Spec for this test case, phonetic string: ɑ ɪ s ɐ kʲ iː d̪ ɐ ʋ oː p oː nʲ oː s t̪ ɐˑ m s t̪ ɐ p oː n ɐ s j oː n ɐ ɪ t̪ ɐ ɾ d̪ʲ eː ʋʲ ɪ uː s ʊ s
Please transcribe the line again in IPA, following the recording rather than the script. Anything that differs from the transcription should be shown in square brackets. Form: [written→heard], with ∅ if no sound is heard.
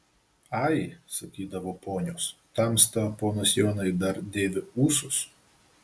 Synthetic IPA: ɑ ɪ s ɐ kʲ iː d̪ ɐ ʋ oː p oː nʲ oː s t̪ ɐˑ m s t̪ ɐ p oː n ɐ s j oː n ɐ ɪ [t̪→d̪] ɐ ɾ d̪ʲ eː ʋʲ ɪ uː s ʊ s